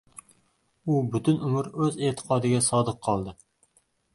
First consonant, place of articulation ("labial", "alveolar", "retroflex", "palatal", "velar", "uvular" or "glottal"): labial